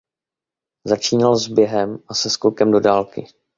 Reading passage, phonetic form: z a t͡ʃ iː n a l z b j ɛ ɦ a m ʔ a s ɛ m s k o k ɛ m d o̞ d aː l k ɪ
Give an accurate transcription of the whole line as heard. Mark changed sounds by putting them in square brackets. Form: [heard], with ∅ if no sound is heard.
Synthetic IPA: z a t͡ʃ iː n a l z b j ɛ ɦ [ɛ] m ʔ a s ɛ [∅] s k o k ɛ m d o̞ d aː l k ɪ